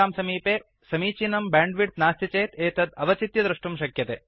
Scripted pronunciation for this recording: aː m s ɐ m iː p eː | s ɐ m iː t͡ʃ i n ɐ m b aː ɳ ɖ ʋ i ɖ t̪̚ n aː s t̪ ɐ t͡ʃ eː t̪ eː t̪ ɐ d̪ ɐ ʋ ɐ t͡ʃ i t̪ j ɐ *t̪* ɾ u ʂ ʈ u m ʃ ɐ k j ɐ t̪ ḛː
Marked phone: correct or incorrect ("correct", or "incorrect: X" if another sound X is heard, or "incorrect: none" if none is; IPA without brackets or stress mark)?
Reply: incorrect: d̪